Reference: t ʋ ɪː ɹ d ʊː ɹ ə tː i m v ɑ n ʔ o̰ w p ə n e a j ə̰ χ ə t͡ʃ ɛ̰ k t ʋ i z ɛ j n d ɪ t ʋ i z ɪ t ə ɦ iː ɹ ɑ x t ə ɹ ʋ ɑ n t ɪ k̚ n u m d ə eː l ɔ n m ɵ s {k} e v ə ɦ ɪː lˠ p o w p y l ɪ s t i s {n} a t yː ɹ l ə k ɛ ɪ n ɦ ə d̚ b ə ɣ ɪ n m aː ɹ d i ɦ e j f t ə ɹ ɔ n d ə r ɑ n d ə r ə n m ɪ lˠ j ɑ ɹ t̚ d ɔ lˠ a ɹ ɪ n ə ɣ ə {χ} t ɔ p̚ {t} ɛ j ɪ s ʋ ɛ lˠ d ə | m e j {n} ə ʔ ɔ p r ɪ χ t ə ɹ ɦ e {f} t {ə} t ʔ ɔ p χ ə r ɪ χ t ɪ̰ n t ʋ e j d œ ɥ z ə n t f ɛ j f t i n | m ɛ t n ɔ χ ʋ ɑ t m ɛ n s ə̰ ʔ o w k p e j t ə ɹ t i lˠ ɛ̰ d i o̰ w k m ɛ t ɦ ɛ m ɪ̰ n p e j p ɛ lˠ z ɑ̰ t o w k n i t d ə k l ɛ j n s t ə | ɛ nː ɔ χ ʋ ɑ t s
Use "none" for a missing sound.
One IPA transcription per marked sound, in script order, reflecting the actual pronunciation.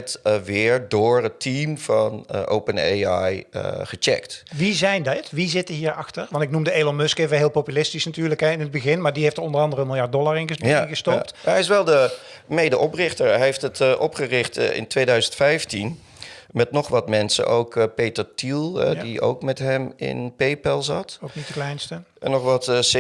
k, n, s, t, d, f, ə

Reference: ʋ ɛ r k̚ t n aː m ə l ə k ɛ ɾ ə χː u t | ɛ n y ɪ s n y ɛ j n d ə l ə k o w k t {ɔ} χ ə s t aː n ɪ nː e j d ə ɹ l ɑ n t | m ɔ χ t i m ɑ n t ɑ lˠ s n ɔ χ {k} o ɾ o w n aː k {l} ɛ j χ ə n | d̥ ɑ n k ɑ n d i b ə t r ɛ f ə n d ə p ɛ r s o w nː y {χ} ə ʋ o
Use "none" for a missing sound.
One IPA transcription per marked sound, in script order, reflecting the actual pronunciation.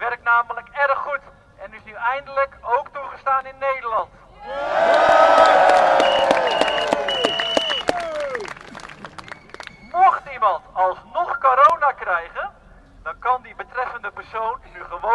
u, k, r, χ

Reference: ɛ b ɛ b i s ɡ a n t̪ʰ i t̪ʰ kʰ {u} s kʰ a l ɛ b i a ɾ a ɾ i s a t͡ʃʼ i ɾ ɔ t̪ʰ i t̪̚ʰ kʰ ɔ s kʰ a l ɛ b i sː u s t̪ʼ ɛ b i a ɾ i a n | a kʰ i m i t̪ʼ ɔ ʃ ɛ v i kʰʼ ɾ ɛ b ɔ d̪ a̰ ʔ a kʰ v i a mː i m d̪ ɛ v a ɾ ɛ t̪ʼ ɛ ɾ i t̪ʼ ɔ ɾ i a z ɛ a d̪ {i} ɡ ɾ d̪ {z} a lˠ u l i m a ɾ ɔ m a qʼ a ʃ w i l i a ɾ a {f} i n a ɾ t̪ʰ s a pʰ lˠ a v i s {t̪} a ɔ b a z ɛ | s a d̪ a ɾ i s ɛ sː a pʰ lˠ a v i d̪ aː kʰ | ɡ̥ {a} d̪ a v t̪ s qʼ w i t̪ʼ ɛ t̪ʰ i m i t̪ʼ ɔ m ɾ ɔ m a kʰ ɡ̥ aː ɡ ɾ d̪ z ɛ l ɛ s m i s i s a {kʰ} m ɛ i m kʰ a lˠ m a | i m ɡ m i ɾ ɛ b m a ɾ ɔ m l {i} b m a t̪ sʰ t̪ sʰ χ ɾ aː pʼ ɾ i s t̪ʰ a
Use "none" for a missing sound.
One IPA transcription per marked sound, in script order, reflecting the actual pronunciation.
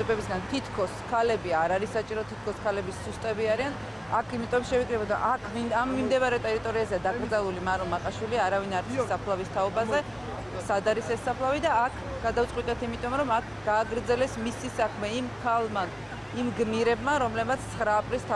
ɔ, a, z, v, t̪ʰ, a, kʰ, ɛ

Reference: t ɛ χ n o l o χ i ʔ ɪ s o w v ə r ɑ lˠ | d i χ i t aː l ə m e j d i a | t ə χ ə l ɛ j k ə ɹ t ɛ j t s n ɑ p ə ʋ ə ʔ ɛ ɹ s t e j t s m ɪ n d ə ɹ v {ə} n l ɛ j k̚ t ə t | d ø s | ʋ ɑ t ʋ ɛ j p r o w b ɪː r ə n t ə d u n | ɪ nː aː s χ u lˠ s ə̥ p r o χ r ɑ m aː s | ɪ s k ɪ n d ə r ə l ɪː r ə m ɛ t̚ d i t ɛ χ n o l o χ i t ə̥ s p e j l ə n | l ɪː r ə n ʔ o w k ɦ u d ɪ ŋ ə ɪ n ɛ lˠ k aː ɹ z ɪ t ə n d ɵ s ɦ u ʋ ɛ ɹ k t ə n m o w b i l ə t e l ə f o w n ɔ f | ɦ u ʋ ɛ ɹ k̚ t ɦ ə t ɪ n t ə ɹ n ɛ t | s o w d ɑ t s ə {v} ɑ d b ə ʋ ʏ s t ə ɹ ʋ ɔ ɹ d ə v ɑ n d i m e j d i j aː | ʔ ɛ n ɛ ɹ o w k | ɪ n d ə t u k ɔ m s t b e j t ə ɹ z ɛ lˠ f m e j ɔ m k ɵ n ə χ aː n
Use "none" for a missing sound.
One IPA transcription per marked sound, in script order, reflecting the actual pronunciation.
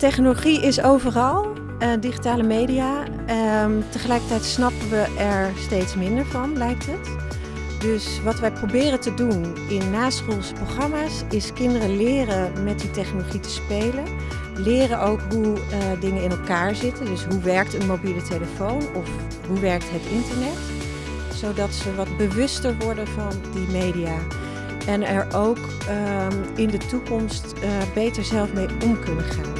ɑ, ʋ

